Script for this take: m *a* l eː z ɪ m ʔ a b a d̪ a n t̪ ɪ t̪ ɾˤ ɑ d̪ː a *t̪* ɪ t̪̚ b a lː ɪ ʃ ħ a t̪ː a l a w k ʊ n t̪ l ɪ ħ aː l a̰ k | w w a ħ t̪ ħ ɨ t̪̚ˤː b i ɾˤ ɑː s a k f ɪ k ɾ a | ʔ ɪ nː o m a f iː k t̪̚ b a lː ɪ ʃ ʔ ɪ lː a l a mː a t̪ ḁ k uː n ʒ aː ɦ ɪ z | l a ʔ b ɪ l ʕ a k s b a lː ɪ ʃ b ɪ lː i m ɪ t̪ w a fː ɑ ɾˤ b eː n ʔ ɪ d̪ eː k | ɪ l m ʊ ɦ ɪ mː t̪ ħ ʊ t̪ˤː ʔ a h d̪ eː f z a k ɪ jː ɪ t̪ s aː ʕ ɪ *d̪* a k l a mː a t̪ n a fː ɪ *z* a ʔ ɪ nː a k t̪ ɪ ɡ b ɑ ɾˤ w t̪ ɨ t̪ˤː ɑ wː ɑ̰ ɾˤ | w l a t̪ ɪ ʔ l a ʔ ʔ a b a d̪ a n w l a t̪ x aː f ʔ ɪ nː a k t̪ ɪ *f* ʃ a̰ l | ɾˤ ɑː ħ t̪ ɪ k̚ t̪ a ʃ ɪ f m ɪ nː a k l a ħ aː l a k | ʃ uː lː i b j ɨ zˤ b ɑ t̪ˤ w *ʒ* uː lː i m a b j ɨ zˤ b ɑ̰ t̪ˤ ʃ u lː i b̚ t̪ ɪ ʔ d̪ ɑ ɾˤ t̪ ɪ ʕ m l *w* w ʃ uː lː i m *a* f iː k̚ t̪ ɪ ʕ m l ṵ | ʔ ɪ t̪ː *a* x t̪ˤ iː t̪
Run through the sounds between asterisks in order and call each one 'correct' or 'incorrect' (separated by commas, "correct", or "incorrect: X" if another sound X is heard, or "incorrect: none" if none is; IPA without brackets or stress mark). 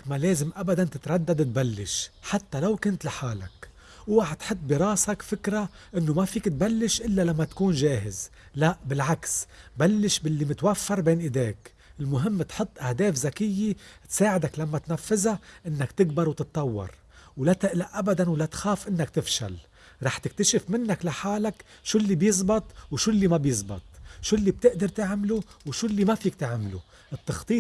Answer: correct, incorrect: d̪, correct, correct, correct, incorrect: ʃ, incorrect: u, correct, incorrect: ɑ